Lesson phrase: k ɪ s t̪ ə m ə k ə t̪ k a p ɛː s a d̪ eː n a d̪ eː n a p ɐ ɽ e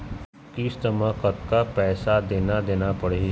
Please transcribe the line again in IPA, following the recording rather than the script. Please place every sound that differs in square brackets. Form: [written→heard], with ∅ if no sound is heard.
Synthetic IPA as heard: k [ɪ→i] s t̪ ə m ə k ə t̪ k a p ɛː s a d̪ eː n a d̪ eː n a p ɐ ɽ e